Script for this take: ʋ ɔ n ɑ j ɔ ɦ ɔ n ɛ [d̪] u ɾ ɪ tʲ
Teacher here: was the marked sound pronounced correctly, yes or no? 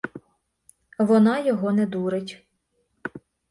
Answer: yes